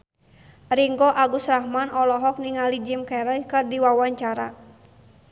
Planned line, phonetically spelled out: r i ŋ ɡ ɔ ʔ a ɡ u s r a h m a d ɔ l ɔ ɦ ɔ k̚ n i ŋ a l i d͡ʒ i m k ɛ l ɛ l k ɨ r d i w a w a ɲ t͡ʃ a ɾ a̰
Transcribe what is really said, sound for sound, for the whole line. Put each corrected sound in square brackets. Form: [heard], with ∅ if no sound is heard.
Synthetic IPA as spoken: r i ŋ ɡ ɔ ʔ a ɡ u s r a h m a [n] ɔ l ɔ ɦ ɔ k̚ n i ŋ a l i d͡ʒ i m k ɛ [ɾ] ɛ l k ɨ r d i w a w a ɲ t͡ʃ a ɾ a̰

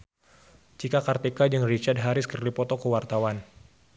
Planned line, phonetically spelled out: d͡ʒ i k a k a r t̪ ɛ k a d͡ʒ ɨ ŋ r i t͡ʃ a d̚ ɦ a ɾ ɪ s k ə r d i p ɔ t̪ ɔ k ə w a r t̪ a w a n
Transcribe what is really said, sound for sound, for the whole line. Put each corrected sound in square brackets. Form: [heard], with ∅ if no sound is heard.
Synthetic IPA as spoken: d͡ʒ i k a k a r t̪ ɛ k a d͡ʒ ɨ ŋ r i t͡ʃ a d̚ ɦ a ɾ ɪ s k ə r d i p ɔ t̪ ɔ k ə w a r t̪ a w a n

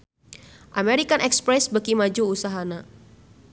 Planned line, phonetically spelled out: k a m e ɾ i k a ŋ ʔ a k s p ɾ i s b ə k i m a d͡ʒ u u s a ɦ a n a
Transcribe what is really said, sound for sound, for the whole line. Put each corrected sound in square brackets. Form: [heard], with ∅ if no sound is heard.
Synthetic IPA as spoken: [ʔ] a m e ɾ i k a [n] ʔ [ɛ] k s p ɾ [ɛ] s b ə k i m a d͡ʒ u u s a ɦ a n a

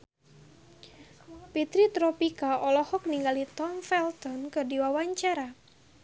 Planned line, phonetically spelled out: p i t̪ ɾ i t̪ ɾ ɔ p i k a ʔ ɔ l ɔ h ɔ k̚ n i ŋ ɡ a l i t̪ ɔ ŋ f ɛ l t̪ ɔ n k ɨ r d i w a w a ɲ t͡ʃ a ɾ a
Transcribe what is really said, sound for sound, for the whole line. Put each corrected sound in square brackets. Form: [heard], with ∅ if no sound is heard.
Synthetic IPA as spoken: p i t̪ ɾ i t̪ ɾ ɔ p i k a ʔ ɔ l ɔ h ɔ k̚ n i ŋ ɡ a l i t̪ ɔ [m] f ɛ l t̪ ɔ n k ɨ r d i w a w a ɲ t͡ʃ a ɾ a

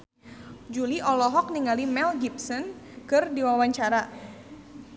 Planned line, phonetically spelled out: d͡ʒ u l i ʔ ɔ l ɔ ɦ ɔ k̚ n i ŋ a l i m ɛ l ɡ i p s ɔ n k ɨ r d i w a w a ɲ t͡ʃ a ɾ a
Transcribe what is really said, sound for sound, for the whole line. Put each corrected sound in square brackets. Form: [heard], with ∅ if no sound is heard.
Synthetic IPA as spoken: d͡ʒ u l i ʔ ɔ l ɔ ɦ ɔ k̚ n i ŋ a l i m ɛ l ɡ i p s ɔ n k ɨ r d i w a w a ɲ t͡ʃ a ɾ a

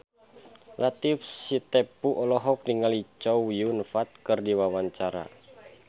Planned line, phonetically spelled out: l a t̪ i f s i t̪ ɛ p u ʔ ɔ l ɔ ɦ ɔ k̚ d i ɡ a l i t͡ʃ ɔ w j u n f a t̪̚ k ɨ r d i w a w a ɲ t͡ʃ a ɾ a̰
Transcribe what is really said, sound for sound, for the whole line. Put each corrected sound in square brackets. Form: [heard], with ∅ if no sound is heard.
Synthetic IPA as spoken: l a t̪ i f s i t̪ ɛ p u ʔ ɔ l ɔ ɦ ɔ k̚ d i [ŋ] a l i t͡ʃ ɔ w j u n f a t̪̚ k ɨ r d i w a w a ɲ t͡ʃ a ɾ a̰

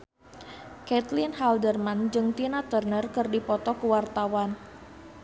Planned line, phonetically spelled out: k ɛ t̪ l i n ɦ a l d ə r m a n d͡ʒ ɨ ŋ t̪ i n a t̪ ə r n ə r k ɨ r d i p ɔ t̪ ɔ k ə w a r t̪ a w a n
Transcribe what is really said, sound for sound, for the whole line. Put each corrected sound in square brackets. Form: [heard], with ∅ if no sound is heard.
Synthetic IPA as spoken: k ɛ t̪ l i n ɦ a l d ə r m a n d͡ʒ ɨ ŋ t̪ i n a t̪ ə r n ə r k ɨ r d i p ɔ t̪ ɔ k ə w a r t̪ a w a n

